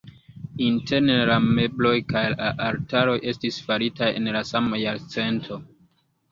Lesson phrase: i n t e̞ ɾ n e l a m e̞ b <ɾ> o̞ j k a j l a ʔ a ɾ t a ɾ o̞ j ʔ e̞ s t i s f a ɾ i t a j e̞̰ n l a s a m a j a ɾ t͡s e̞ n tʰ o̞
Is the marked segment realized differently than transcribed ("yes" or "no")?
yes